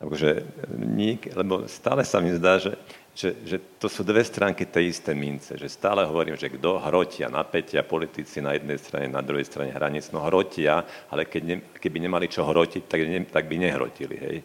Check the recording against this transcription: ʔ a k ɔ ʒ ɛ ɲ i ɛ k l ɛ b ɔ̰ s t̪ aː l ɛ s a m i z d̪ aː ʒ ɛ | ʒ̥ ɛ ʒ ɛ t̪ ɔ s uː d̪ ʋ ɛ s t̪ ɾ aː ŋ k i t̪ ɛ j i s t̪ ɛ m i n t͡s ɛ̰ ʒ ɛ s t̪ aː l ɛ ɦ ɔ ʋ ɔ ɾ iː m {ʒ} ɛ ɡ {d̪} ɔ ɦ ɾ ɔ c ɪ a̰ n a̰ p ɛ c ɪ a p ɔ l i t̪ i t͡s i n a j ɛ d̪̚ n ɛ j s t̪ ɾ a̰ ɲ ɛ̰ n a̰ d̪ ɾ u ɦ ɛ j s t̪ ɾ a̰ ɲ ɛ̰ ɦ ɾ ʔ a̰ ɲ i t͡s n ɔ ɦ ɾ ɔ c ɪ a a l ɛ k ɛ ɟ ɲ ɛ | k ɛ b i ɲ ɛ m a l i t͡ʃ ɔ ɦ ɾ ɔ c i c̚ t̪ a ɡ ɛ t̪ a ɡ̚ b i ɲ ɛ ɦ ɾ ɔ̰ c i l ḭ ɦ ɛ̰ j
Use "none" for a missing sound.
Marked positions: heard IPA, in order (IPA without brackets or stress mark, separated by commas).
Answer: ʒ, d̪